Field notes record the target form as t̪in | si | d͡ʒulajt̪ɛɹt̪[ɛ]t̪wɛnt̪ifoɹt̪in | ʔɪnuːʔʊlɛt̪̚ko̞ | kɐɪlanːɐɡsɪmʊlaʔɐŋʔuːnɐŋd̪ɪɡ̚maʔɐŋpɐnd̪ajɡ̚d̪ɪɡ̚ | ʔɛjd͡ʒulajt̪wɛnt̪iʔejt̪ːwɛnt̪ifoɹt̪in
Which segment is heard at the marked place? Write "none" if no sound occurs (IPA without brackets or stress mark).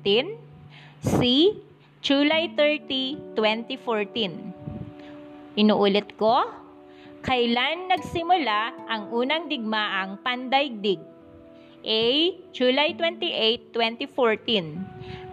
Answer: i